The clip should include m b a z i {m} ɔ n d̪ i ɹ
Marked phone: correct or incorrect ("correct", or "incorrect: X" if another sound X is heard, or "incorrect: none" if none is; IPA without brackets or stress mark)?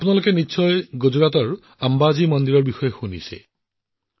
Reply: correct